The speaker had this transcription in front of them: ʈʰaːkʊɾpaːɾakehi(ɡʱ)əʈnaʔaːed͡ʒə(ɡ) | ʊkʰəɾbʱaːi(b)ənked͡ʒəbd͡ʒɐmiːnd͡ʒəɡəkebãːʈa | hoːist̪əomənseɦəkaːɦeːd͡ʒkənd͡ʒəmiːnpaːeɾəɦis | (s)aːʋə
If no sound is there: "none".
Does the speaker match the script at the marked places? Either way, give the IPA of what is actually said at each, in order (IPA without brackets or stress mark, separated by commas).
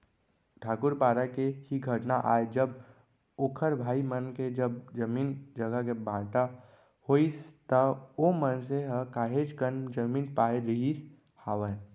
ɡʱ, b, m, h